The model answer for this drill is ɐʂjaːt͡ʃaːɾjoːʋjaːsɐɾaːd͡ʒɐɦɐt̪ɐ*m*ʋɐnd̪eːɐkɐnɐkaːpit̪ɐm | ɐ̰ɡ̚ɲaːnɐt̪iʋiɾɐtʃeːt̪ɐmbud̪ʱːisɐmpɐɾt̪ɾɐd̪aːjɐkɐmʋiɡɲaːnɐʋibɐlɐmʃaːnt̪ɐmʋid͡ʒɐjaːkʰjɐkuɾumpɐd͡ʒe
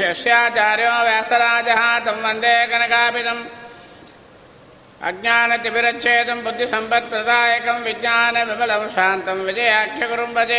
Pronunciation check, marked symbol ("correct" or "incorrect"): correct